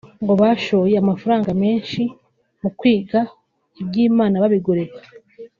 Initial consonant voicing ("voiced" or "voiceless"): voiced